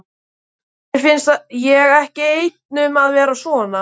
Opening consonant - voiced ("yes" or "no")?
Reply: no